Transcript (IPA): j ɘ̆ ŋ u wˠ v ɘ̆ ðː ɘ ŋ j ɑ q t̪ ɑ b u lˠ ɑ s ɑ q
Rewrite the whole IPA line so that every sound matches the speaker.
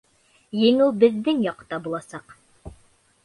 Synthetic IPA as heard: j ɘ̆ ŋ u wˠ b ɘ̆ ðː ɘ ŋ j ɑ q t̪ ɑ b u lˠ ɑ s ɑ q